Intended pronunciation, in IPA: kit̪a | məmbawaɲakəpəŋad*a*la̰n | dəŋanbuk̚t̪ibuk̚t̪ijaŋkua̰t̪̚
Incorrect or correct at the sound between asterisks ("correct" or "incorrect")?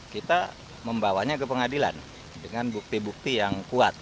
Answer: incorrect